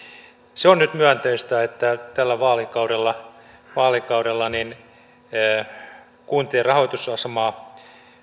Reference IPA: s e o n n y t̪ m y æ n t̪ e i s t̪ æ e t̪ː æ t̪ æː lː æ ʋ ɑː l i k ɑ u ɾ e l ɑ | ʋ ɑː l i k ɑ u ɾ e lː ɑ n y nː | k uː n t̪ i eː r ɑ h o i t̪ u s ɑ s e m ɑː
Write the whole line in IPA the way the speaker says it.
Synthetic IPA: s e o n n y t̪ m y æ n t̪ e i s t̪ æ e t̪ː æ t̪ æ lː æ ʋ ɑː l i k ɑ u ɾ e lː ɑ | ʋ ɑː l i k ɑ u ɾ e lː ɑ n i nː | k uː n t̪ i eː r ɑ h o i t̪ u s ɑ s e m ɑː

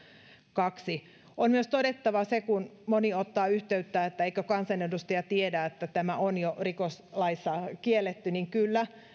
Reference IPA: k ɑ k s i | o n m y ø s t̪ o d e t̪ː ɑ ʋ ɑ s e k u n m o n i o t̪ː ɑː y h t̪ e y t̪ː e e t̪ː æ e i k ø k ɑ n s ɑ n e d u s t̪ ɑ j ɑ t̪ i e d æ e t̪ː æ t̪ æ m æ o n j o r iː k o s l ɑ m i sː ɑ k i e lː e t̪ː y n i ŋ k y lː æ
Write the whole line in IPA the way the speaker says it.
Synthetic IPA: k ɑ k s i | o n m y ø s t̪ o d e t̪ː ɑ ʋ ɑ s e k u n m o n i o t̪ː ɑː y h t̪ e y t̪ː æ e t̪ː æ e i k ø k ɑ n s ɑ n e d u s t̪ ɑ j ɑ t̪ i e d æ e t̪ː æ t̪ æ m æ o n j o r i k o s l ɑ i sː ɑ k i e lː e t̪ː y n i ŋ k y lː æ

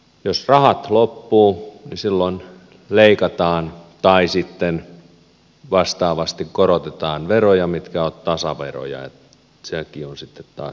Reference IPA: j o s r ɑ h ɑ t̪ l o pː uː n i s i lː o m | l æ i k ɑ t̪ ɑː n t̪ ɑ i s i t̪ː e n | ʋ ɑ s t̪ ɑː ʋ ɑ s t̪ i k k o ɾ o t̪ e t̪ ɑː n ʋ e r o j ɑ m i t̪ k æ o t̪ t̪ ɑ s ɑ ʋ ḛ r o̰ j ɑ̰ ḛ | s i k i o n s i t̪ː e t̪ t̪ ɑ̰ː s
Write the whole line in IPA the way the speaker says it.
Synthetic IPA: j o s r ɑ h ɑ t̪ l o pː uː n i s i lː o n | l e i k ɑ t̪ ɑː n t̪ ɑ i s i t̪ː e n | ʋ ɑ s t̪ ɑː ʋ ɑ s t̪ i k k o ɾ o t̪ e t̪ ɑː n ʋ e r o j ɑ m i t̪ k æ o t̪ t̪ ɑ s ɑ ʋ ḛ r o̰ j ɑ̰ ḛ | s e k i o n s i t̪ː e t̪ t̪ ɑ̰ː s

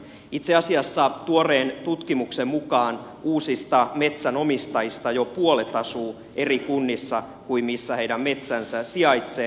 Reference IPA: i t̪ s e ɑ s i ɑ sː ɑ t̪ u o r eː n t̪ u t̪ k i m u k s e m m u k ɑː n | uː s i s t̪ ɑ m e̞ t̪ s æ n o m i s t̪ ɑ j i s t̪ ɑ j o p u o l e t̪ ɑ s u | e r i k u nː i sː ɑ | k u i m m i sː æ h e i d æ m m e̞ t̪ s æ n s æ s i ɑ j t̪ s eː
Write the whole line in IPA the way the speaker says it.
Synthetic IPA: i t̪ s e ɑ s i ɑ sː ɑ t̪ u o r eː n t̪ u t̪ k i m u k s e m m u k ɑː n | uː s i s t̪ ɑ m e̞ t̪ s æ n o m i s t̪ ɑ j i s t̪ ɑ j o p u o l e t̪ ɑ s uː | e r i k u nː i sː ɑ | k u i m m i sː æ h e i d æ m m e̞ t̪ s æ n s æ s i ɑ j t̪ s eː

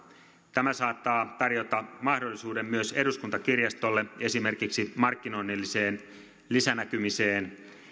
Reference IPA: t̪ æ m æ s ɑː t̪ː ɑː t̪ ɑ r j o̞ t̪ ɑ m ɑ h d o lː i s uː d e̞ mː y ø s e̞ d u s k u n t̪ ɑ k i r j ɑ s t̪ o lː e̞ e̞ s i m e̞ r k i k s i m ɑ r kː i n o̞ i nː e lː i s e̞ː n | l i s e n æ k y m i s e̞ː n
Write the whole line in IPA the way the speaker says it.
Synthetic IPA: t̪ æ m æ s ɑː t̪ː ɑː t̪ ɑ r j o̞ t̪ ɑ m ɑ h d o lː i s uː d e̞ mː y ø s e̞ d u s k u n t̪ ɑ k i r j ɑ s t̪ o lː e̞ e̞ s i m e̞ r k i k s i m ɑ r kː i n o̞ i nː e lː i s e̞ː n | l i s æ n æ k y m i s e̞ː n

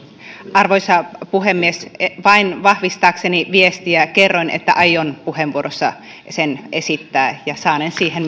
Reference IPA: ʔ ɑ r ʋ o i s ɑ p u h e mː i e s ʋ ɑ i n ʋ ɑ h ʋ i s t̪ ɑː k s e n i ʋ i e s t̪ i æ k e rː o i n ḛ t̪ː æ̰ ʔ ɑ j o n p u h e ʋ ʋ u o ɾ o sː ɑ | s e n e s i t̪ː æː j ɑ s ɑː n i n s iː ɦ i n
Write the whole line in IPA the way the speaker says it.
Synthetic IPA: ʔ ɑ r ʋ o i s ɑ p u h e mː i e s ʋ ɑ i n ʋ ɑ h ʋ i s t̪ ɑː k s e n i ʋ i e s t̪ i æ k e rː o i n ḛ t̪ː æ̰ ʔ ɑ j o n p u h e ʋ ʋ u o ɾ o sː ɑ | s e n e s i t̪ː æː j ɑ s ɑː n e n s iː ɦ e n

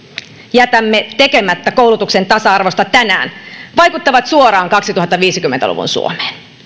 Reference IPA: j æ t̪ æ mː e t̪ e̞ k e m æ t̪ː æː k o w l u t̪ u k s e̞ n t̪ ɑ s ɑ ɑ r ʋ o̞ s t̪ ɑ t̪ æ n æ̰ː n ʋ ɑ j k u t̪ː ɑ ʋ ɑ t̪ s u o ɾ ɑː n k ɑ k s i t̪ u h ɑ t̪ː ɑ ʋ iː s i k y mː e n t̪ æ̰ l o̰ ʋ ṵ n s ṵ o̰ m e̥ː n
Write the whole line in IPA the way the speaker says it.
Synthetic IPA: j æ t̪ æ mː e t̪ e̞ k e m æ t̪ː æ k o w l u t̪ u k s e̞ n t̪ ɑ s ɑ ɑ r ʋ o̞ s t̪ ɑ t̪ æ n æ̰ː n ʋ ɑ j k u t̪ː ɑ ʋ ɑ t̪ s u o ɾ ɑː ŋ k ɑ k s i t̪ u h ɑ t̪ː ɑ ʋ iː s i k y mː e n t̪ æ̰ l ṵ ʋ ṵ n s ṵ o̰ m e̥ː n

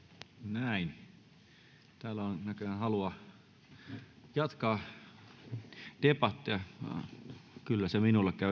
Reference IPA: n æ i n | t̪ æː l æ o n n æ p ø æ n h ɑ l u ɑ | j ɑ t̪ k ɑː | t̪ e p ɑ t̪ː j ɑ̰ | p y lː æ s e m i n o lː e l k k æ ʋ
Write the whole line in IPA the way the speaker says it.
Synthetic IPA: n æ i n | t̪ æː l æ o n n æ k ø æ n h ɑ l u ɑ | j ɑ t̪ k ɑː | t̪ e p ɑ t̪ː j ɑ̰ | k y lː æ s e m i n u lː e k k æ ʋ

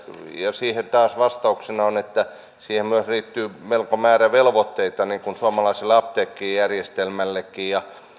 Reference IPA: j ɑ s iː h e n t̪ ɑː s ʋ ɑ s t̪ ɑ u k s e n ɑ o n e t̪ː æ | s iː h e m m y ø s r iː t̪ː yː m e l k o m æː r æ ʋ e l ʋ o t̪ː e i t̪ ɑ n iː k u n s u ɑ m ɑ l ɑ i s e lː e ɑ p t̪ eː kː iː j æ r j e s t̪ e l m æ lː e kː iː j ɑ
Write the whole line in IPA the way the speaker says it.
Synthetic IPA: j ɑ s iː h e n t̪ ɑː s ʋ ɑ s t̪ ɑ u k s e n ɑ o n e t̪ː æ | s iː h e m m y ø s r iː t̪ː yː m e l k o m æː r æ ʋ e l ʋ o t̪ː e i t̪ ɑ n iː k u n s u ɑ m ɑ l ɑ i s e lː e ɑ p t̪ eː kː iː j æ r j e s t̪ e l m æ lː e kː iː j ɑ

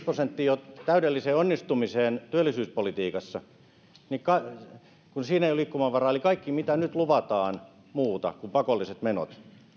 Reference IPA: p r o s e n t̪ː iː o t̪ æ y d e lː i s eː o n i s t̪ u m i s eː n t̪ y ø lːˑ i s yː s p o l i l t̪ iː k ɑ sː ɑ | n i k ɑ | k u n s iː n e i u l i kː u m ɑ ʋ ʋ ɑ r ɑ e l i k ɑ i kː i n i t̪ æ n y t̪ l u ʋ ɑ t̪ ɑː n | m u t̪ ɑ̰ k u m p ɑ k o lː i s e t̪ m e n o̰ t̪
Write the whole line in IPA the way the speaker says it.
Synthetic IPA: p r o s e n t̪ː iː o t̪ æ y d e lː i s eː o nː i s t̪ u m i s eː n t̪ y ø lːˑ i s yː s p o l i t̪ iː k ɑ sː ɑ | n i k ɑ | k u n s iː n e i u l i kː u m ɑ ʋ ʋ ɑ r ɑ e l i k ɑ i kː i m i t̪ æ n y t̪ l u ʋ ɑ t̪ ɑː n | m uː t̪ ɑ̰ k u m p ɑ k o lː i s e t̪ m e n o̰ t̪

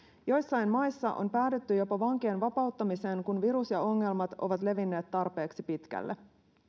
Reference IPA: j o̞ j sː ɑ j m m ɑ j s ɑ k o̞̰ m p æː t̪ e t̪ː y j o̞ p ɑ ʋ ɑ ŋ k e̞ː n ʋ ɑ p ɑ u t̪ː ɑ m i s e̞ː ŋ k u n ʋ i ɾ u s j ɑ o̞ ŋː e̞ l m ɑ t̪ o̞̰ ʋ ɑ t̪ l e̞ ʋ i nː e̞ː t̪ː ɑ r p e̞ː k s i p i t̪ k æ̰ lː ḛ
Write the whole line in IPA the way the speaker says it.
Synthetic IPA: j o̞ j sː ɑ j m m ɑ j sː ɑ ʔ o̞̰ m p æː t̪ e t̪ː y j o̞ p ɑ ʋ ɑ ŋ k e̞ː n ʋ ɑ p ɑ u t̪ː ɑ m i s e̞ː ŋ k u n ʋ i ɾ u s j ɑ o̞ ŋː e̞ l m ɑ t̪ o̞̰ ʋ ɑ t̪ l e̞ ʋ i nː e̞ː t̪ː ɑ r p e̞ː k s i p i t̪ k æ̰ lː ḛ

